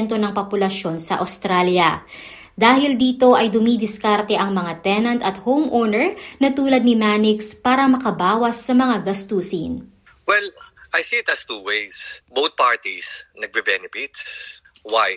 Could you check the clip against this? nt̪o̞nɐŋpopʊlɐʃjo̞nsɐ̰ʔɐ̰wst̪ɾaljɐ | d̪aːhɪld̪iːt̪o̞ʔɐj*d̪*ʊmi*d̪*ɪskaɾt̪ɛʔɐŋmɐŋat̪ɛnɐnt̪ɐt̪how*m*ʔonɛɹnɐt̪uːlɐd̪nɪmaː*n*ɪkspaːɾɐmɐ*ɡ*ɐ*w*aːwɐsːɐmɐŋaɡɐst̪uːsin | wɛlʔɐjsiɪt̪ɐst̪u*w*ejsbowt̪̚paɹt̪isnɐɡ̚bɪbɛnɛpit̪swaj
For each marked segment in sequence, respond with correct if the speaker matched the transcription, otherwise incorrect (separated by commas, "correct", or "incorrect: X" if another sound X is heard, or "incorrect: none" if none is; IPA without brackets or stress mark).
correct, correct, correct, correct, incorrect: k, incorrect: b, correct